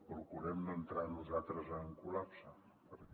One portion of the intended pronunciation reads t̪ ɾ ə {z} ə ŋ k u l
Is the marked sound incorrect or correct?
correct